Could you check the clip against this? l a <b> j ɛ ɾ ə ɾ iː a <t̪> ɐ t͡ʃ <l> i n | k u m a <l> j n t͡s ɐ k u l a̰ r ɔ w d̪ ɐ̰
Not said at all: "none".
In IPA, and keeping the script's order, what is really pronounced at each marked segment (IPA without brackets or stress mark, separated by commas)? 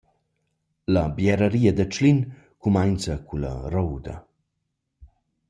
b, d̪, l, none